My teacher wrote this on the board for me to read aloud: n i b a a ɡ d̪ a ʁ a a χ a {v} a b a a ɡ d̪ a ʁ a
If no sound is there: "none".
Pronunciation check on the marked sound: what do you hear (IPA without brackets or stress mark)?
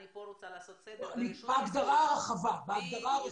v